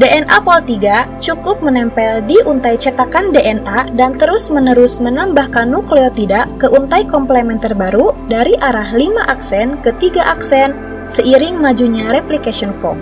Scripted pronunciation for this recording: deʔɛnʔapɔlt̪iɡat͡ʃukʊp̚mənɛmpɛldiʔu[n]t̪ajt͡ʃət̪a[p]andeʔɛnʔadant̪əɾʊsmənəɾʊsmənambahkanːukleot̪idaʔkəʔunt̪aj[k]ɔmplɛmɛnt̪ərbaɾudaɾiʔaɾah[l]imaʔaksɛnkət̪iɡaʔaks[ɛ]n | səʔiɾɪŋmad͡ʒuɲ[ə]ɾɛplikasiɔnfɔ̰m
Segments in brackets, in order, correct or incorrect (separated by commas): correct, incorrect, correct, correct, correct, incorrect